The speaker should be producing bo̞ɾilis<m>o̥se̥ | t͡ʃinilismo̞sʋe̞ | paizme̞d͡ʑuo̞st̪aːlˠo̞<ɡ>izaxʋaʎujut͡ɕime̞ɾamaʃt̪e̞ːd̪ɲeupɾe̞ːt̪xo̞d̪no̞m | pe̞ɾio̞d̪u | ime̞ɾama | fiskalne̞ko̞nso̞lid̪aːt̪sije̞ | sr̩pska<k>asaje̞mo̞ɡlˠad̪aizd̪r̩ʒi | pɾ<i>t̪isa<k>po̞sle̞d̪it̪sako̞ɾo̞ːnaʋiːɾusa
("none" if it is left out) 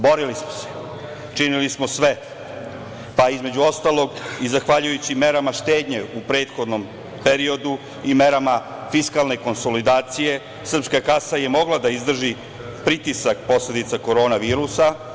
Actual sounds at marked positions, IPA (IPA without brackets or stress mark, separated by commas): m, ɡ, k, i, k